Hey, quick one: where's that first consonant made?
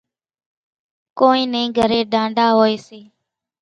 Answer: velum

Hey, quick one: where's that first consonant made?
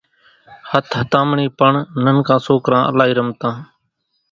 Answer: throat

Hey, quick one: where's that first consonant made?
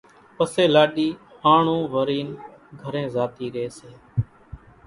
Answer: lips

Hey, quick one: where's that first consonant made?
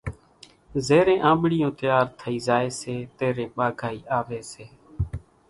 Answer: tongue tip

